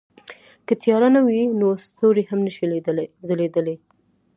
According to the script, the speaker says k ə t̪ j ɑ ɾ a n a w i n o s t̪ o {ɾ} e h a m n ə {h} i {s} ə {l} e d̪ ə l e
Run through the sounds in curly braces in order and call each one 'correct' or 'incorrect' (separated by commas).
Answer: correct, incorrect, incorrect, correct